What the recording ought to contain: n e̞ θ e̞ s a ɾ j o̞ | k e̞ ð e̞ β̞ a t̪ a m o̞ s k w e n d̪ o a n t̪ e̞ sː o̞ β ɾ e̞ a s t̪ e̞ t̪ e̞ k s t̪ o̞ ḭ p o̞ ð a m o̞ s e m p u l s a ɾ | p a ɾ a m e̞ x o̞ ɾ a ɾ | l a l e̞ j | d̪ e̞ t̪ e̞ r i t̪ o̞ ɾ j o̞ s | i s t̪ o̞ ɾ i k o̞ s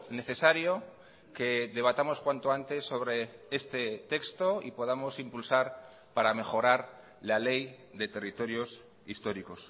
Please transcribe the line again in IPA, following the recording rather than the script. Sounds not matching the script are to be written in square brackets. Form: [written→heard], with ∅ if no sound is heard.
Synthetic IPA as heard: n e̞ θ e̞ s a ɾ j o̞ | k e̞ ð e̞ β̞ a t̪ a m o̞ s k w [e→a] n [d̪→t̪] o a n t̪ e̞ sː o̞ β ɾ e̞ [a→e] s t̪ e̞ t̪ e̞ k s t̪ o̞ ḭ p o̞ ð a m o̞ s [e→i] m p u l s a ɾ | p a ɾ a m e̞ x o̞ ɾ a ɾ | l a l e̞ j | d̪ e̞ t̪ e̞ r i t̪ o̞ ɾ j o̞ s | i s t̪ o̞ ɾ i k o̞ s

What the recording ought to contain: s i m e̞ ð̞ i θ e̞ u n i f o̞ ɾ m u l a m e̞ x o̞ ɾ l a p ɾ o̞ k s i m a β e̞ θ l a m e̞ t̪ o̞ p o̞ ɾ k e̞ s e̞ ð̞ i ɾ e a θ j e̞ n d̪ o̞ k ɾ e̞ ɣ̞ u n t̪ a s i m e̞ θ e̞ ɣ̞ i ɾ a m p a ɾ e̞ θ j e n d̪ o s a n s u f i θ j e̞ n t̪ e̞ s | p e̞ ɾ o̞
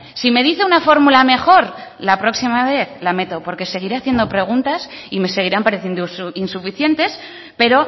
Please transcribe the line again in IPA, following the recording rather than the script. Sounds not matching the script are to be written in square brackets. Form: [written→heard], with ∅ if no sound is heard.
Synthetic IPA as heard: s i m e̞ ð̞ i θ e̞ u n [i→a] f o̞ ɾ m u l a m e̞ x o̞ ɾ l a p ɾ o̞ k s i m a β e̞ θ l a m e̞ t̪ o̞ p o̞ ɾ k e̞ s e̞ [ð̞→ɣ̞] i ɾ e a θ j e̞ n d̪ o̞ [k→p] ɾ e̞ ɣ̞ u n t̪ a s i m e̞ [θ→s] e̞ ɣ̞ i ɾ a m p a ɾ e̞ θ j e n d̪ o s [a→i] n s u f i θ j e̞ n t̪ e̞ s | p e̞ ɾ o̞

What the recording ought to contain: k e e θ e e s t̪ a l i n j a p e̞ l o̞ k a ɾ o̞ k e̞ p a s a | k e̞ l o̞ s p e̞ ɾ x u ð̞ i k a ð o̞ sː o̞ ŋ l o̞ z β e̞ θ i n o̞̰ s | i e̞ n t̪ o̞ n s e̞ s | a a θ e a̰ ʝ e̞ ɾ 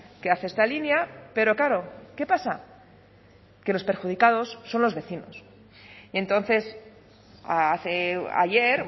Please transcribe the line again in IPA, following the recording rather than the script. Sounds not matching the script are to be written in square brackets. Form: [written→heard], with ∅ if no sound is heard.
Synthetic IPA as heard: k e [e→a] θ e e s t̪ a l i n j a p e̞ [l→ɾ] o̞ k a ɾ o̞ k e̞ p a s a | k e̞ l o̞ s p e̞ ɾ x u ð̞ i k a ð o̞ sː o̞ [ŋ→n] l o̞ z β e̞ θ i n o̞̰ s | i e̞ n t̪ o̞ n [s→θ] e̞ s | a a θ e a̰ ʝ e̞ ɾ

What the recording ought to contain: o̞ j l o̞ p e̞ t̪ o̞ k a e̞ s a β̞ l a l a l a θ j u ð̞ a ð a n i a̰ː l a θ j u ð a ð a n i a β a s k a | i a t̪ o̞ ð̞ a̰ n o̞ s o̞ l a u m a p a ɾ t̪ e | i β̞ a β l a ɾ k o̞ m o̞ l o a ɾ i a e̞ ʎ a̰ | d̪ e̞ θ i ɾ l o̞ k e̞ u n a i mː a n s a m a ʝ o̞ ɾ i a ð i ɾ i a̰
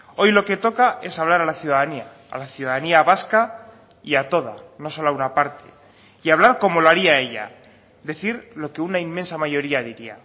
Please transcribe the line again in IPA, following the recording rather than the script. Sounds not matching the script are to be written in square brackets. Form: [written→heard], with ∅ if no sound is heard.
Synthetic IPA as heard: o̞ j l o̞ [p→k] e̞ t̪ o̞ k a e̞ s a β̞ l a [l→ɾ] a l a θ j u ð̞ a ð a n i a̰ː l a θ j u ð a ð a n i a β a s k a | i a t̪ o̞ ð̞ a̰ n o̞ s o̞ l a u [m→n] a p a ɾ t̪ e | i [β̞→∅] a β l a ɾ k o̞ m o̞ l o a ɾ i a e̞ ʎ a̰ | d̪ e̞ θ i ɾ l o̞ k e̞ u n a i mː [a→e] n s a m a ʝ o̞ ɾ i a ð i ɾ i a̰

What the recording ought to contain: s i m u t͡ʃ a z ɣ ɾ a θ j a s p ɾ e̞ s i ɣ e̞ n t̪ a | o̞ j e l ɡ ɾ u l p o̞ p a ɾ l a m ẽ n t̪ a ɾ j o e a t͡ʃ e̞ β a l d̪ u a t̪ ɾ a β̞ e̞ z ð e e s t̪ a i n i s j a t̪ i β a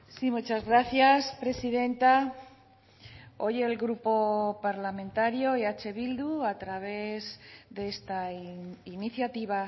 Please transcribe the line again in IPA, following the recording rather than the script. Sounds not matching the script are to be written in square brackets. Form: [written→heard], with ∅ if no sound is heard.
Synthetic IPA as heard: s i m u t͡ʃ a z ɣ ɾ a θ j a s p ɾ e̞ s i [ɣ→ð] e̞ n t̪ a | o̞ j e l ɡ ɾ u [l→∅] p o̞ p a ɾ l a m ẽ n t̪ a ɾ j o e a t͡ʃ e̞ β [a→i] l d̪ u a t̪ ɾ a β̞ e̞ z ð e e s t̪ a i n i [s→θ] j a t̪ i β a

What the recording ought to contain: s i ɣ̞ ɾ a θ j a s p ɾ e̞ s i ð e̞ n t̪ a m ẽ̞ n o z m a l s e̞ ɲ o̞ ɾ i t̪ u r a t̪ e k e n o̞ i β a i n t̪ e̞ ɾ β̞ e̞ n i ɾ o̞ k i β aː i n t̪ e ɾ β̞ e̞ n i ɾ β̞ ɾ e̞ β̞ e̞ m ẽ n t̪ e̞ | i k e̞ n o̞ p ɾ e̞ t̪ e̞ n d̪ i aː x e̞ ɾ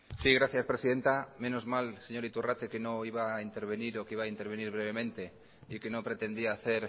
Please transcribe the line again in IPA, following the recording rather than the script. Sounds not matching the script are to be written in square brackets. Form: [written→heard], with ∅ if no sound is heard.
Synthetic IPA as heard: s i ɣ̞ ɾ a θ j a s p ɾ e̞ s i ð e̞ n t̪ a m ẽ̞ n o z m a l s e̞ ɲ o̞ ɾ i t̪ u r a t̪ e k e n o̞ i β a i n t̪ e̞ ɾ β̞ e̞ n i ɾ o̞ k i β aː i n t̪ e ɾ β̞ e̞ n i ɾ β̞ ɾ e̞ β̞ e̞ m ẽ n t̪ e̞ | i k e̞ n o̞ p ɾ e̞ t̪ e̞ n d̪ i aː [x→θ] e̞ ɾ

